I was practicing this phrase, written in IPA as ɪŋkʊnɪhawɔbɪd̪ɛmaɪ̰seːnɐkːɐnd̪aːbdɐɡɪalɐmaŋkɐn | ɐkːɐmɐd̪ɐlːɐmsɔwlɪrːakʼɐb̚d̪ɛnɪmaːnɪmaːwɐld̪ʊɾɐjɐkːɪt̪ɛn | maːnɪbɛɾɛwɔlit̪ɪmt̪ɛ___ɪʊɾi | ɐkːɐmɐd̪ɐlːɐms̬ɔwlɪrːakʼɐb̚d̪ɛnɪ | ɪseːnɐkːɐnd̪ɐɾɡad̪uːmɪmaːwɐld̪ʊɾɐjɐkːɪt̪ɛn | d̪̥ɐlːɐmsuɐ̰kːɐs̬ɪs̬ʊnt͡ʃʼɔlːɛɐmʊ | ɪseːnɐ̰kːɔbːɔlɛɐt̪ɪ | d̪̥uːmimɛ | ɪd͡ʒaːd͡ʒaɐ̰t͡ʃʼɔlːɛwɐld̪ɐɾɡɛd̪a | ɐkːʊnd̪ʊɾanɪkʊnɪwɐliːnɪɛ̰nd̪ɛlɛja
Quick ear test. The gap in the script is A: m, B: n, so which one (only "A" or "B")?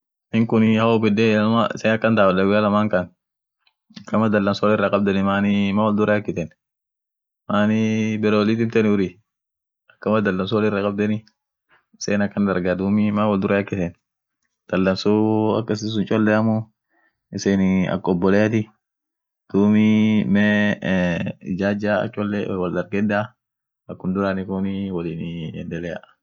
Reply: B